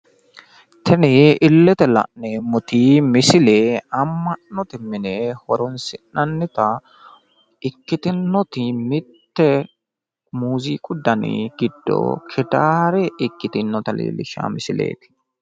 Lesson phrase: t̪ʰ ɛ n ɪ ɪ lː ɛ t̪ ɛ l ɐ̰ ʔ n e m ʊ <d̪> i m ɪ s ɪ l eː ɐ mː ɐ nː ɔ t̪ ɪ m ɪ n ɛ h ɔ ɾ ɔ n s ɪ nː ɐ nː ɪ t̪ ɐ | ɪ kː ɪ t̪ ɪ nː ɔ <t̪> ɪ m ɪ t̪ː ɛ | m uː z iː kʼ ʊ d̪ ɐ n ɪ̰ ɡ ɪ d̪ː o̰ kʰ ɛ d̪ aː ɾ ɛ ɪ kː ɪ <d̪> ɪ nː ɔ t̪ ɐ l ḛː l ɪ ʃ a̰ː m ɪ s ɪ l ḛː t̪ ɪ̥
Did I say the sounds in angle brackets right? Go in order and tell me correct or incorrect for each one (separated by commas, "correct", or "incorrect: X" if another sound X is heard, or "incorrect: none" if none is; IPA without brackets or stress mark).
incorrect: t̪, correct, incorrect: t̪